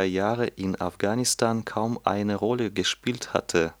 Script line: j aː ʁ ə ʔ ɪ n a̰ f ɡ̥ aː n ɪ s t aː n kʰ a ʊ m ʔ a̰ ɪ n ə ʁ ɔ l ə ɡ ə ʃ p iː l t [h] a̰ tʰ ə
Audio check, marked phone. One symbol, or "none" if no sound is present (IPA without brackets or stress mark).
h